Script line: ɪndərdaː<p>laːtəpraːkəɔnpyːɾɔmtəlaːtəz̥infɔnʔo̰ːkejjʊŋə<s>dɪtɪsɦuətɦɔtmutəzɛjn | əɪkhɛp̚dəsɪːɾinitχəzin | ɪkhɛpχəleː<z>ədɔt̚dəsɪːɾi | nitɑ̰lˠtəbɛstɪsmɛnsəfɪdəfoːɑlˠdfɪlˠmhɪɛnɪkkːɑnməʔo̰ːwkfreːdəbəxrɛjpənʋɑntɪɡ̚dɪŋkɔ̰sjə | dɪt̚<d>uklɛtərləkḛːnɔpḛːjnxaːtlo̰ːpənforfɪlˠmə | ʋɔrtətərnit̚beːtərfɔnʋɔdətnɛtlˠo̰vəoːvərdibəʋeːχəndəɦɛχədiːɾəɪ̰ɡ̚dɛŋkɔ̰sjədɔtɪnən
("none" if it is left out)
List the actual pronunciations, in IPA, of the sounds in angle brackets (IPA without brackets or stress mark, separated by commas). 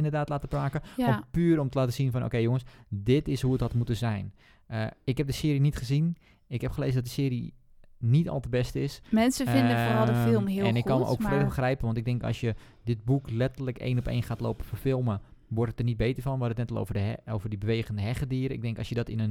t, s, z, b